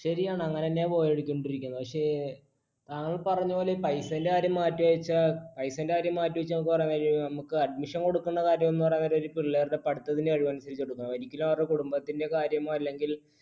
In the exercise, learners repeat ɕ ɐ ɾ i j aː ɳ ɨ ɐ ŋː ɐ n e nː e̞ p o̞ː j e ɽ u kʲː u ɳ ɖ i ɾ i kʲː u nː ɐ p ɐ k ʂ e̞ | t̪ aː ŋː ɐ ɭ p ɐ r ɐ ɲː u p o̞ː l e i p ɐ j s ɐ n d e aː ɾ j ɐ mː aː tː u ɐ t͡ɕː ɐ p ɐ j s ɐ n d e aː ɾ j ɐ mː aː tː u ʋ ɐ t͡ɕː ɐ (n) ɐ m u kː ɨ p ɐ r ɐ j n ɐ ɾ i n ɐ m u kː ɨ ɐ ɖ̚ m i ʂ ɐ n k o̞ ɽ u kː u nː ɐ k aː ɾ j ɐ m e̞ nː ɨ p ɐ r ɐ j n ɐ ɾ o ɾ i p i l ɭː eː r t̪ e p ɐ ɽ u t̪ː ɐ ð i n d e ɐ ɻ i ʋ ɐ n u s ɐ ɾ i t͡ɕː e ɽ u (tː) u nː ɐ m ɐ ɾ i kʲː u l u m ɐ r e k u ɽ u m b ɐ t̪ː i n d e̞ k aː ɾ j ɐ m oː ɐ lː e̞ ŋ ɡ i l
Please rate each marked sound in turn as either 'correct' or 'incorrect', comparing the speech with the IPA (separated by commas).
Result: correct, incorrect